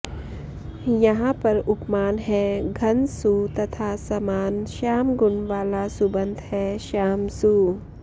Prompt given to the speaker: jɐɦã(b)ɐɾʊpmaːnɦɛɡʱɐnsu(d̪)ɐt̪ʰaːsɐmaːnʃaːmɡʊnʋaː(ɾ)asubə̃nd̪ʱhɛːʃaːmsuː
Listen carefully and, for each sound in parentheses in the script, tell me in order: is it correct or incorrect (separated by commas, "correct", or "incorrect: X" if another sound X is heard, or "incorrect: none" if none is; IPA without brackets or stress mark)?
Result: incorrect: p, incorrect: t̪, incorrect: l